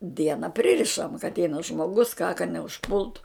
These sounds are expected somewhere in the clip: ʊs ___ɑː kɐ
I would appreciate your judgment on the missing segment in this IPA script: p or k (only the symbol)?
k